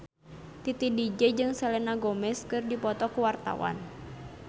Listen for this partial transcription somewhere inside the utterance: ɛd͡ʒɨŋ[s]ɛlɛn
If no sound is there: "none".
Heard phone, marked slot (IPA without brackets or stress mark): s